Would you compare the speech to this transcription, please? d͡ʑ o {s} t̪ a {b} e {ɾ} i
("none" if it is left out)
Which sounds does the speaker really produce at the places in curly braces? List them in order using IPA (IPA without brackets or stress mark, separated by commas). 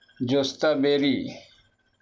s, b, ɾ